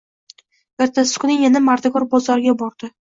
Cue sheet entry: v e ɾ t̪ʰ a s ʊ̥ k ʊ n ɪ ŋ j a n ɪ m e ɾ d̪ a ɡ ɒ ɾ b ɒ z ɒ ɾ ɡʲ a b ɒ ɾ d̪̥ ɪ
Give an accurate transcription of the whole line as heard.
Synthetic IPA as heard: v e ɾ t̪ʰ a s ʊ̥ k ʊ n ɪ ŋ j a n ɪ m a ɾ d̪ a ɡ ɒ ɾ b ɒ z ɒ ɾ ɡʲ a b ɒ ɾ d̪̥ ɪ